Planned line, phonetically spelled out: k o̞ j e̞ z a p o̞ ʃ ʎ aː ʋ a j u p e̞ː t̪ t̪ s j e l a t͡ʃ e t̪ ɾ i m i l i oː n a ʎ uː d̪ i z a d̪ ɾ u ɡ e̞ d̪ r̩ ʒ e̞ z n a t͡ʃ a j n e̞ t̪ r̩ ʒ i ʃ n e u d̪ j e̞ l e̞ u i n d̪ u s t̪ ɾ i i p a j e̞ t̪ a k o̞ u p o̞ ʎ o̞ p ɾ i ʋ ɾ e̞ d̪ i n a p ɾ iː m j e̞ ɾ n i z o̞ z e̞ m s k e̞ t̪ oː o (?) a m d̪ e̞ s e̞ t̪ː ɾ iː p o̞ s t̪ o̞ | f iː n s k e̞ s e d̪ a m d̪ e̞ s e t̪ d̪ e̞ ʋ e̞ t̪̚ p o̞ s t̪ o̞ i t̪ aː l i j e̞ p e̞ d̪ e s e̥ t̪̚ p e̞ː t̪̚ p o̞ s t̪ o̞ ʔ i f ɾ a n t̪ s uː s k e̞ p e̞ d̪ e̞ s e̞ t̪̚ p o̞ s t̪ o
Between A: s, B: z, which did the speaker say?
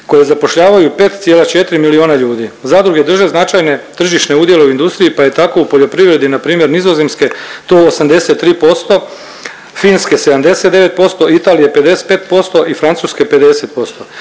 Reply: A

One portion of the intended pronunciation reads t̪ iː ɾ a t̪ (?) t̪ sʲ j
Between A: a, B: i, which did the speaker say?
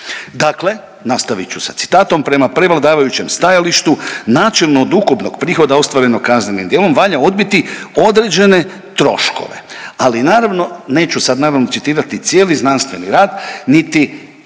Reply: B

